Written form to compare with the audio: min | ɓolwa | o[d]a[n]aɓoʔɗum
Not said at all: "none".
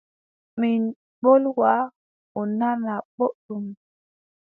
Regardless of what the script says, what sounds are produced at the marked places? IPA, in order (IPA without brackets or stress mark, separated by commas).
n, n